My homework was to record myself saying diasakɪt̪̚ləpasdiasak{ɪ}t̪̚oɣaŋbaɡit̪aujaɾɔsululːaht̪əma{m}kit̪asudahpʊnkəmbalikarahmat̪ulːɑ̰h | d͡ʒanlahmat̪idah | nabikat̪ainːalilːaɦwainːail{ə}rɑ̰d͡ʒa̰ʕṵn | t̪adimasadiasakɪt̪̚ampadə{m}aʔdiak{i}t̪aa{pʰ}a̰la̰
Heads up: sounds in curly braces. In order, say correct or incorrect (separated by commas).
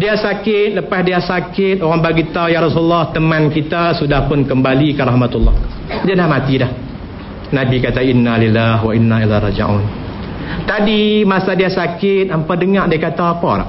correct, incorrect, incorrect, incorrect, incorrect, incorrect